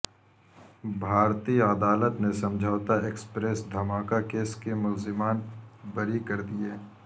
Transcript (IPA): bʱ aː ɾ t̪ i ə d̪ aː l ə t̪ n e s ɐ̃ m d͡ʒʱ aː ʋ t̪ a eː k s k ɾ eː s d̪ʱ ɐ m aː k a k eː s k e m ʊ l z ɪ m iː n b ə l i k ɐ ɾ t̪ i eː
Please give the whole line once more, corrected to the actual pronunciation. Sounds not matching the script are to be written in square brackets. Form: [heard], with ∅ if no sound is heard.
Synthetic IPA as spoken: bʱ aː ɾ t̪ i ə d̪ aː l ə t̪ n e s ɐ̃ m d͡ʒʱ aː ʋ t̪ a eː k s [p] ɾ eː s d̪ʱ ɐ m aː k a k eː s k e m ʊ l z ɪ m [aː] n b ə [ɾ] i k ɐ ɾ [d̪] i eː